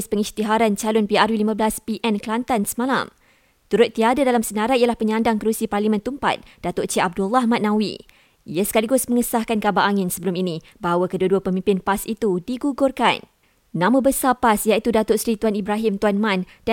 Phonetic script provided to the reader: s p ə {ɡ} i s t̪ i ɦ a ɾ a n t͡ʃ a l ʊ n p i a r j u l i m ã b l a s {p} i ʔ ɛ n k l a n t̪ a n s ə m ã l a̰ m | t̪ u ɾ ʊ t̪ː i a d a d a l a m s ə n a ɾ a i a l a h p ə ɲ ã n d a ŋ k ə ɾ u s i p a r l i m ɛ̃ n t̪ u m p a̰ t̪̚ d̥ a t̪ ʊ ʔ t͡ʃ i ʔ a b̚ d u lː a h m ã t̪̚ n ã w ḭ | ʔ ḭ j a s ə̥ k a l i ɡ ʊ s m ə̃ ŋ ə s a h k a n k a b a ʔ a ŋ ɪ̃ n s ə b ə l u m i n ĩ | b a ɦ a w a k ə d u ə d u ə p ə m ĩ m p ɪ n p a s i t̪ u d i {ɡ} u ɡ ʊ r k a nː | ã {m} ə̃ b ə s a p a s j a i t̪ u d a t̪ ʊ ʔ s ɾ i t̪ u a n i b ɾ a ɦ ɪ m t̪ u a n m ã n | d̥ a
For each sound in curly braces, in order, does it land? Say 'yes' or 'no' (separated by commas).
no, yes, yes, yes